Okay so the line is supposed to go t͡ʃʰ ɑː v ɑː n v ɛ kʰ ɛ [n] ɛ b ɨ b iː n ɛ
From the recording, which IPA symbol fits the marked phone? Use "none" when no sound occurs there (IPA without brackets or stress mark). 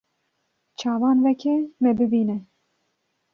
m